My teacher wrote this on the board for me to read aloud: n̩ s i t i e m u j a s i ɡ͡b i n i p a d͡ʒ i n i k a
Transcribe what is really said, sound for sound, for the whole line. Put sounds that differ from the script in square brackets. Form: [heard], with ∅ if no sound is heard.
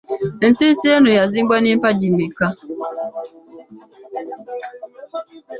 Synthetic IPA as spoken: n̩ s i [s] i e [n] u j a [z] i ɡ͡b [a] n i p a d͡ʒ i [m] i k a